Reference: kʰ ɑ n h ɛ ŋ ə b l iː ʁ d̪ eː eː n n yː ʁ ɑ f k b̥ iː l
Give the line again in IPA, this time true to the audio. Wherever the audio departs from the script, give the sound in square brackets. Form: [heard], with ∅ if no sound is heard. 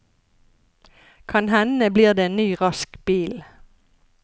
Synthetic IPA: kʰ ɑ n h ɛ [n] ə b l iː ʁ d̪ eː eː n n yː ʁ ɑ [s] k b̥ iː l